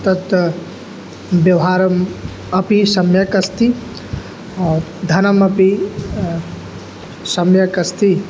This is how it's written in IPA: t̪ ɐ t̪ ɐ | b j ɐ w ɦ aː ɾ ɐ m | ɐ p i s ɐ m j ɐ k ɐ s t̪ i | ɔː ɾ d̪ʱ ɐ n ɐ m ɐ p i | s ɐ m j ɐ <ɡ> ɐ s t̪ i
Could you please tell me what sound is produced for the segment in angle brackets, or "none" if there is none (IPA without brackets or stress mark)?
k